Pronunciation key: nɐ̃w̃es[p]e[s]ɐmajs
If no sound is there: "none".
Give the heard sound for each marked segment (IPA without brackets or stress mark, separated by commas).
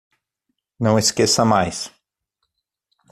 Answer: k, s